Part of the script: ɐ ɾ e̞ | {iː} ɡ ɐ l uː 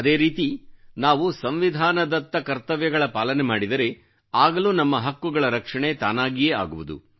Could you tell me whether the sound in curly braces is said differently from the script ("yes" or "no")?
yes